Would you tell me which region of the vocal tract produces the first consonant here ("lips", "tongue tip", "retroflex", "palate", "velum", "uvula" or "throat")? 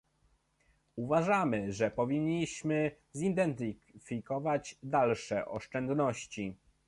lips